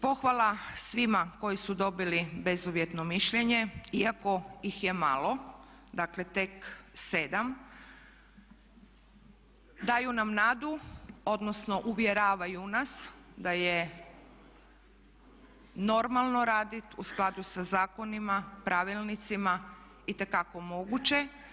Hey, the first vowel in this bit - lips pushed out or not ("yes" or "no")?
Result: yes